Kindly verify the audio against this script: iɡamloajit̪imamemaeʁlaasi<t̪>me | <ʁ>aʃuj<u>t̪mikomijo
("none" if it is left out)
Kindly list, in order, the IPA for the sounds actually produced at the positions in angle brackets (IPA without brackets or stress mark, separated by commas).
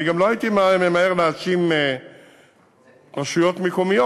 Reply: none, ʁ, o